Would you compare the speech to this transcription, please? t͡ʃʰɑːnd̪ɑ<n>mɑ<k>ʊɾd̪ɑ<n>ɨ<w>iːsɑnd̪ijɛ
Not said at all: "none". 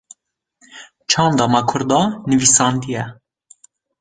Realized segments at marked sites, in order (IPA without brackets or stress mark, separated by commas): none, kʰ, n, v